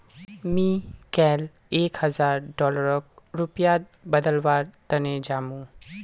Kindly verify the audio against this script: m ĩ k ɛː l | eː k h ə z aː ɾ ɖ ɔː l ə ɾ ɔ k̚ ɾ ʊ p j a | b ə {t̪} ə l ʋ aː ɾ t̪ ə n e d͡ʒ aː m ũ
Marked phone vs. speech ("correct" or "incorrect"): incorrect